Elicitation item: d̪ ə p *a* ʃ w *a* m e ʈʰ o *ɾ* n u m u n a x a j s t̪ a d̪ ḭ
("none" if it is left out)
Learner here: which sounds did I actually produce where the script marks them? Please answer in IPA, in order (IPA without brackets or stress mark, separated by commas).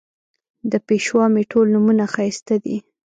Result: e, ɑ, l